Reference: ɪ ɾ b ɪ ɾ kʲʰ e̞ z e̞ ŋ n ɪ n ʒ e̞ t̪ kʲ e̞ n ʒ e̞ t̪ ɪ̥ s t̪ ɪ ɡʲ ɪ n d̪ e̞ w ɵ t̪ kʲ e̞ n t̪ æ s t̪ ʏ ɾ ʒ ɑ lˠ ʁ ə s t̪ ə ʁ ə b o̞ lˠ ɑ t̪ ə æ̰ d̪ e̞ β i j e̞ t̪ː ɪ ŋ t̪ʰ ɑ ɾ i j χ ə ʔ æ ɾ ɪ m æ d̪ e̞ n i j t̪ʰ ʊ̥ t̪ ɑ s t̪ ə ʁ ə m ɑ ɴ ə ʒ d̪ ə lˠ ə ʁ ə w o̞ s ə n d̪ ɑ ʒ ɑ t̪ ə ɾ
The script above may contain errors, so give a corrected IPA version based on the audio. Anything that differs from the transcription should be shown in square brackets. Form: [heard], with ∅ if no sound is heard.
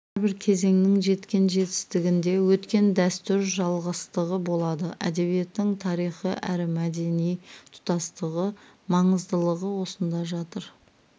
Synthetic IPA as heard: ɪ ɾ b ɪ ɾ kʲʰ e̞ z e̞ ŋ n ɪ [ŋ] ʒ e̞ t̪ kʲ e̞ n ʒ e̞ t̪ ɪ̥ s t̪ ɪ ɡʲ ɪ n d̪ e̞ w ɵ t̪ kʲ e̞ n [d̪] æ s t̪ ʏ ɾ ʒ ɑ lˠ ʁ ə s t̪ ə ʁ ə b o̞ lˠ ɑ [d̪] ə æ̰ d̪ e̞ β i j e̞ t̪ː ɪ ŋ t̪ʰ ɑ ɾ i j χ ə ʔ æ ɾ ɪ m æ d̪ e̞ n i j t̪ʰ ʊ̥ t̪ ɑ s t̪ ə ʁ ə m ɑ ɴ ə [z] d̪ ə lˠ ə ʁ ə w o̞ s ə n d̪ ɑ ʒ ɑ t̪ ə ɾ